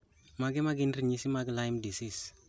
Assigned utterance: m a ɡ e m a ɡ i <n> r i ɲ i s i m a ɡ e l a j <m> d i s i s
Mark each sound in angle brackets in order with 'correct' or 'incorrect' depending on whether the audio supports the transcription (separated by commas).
correct, correct